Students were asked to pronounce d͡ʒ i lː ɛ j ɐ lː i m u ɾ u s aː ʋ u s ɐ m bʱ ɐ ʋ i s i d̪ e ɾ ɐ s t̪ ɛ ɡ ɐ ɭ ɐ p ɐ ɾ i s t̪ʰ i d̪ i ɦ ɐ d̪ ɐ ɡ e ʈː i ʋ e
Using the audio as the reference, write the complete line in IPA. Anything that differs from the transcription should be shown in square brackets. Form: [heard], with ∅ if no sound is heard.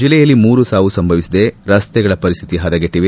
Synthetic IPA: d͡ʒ i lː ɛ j ɐ lː i m [uː] ɾ u s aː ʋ u s ɐ m bʱ ɐ ʋ i s i d̪ e ɾ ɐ s t̪ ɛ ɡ ɐ ɭ ɐ p ɐ ɾ i s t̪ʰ i [t̪] i ɦ ɐ d̪ ɐ ɡ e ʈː i ʋ e